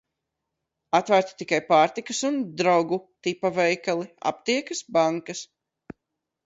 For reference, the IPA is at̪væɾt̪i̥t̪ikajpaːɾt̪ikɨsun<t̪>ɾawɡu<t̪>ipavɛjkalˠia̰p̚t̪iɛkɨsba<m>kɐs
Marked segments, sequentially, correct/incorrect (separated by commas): incorrect, correct, incorrect